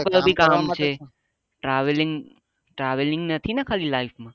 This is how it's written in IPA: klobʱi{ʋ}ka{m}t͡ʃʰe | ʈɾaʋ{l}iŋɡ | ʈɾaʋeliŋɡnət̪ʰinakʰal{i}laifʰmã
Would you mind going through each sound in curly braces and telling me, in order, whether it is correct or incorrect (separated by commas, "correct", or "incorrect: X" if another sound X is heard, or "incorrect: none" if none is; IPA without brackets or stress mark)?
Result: incorrect: none, correct, correct, correct